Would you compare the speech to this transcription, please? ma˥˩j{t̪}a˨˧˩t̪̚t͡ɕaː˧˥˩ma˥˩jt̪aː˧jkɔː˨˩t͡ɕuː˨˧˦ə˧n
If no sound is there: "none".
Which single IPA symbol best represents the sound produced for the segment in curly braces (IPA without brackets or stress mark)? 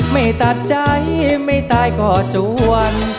t̪